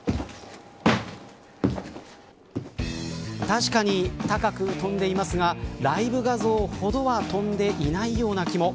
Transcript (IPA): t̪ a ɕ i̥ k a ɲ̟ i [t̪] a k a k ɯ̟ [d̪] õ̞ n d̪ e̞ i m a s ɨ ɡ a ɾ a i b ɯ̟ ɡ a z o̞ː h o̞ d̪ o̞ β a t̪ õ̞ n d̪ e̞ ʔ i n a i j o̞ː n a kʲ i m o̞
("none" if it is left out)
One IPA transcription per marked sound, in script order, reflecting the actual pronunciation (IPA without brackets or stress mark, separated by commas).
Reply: t̪, t̪